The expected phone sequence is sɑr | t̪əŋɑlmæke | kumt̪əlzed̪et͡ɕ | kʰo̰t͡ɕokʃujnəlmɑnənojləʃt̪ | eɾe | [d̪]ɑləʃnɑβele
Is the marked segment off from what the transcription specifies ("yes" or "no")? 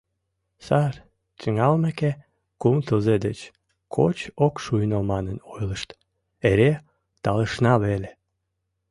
yes